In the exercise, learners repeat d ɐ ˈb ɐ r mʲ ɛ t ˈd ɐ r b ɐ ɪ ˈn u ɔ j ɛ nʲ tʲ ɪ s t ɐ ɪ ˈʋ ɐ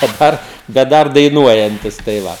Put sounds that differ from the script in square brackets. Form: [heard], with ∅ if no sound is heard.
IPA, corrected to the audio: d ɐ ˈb ɐ r [bʲ] ɛ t ˈd ɐ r [d] ɐ ɪ ˈn u ɔ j ɛ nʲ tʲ ɪ s t ɐ ɪ ˈʋ ɐ